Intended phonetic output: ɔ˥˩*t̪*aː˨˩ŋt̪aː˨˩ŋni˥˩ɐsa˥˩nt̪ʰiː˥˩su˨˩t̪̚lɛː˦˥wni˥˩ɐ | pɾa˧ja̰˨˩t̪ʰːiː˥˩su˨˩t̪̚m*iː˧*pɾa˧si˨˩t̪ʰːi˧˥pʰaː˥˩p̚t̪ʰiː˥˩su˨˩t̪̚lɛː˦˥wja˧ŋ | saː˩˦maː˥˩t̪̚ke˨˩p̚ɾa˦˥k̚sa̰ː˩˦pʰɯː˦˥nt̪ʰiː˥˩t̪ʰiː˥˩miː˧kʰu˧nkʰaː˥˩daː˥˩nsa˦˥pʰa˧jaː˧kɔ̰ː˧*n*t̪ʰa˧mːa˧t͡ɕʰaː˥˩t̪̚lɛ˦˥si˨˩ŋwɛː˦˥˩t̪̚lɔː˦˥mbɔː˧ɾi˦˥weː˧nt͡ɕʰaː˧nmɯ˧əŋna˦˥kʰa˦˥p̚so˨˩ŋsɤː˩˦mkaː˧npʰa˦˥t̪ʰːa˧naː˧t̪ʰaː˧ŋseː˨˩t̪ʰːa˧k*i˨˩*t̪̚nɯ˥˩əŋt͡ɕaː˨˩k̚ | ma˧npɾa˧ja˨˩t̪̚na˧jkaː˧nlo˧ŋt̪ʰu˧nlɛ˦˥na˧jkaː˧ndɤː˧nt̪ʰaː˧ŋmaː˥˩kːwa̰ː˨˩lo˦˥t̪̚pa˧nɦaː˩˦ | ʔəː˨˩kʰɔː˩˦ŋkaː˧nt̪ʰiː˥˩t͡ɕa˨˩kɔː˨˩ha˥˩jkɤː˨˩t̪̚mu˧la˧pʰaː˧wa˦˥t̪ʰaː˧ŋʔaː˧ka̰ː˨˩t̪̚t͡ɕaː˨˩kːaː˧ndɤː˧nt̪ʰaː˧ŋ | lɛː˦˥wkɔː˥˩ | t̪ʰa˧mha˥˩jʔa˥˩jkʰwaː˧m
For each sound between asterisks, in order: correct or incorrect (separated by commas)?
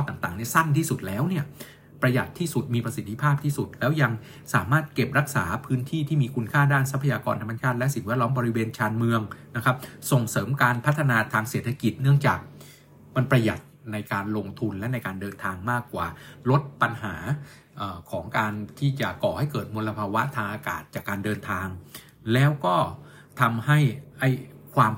correct, correct, correct, correct